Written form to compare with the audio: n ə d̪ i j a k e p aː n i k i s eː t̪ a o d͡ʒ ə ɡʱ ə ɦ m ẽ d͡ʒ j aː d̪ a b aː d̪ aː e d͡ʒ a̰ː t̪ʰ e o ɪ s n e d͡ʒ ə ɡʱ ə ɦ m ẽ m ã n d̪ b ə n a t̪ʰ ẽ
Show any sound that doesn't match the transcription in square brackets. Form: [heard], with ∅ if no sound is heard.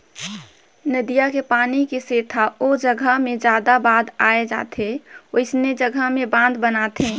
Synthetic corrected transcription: n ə d̪ i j a k e p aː n i k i s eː [t̪ʰ] a o d͡ʒ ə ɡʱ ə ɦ m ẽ d͡ʒ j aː d̪ a b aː d̪ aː e d͡ʒ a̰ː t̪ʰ e o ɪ s n e d͡ʒ ə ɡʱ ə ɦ m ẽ [b] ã n d̪ b ə n a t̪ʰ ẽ